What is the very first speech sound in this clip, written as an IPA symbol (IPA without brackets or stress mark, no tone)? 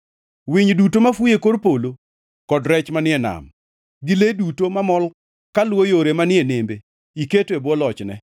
w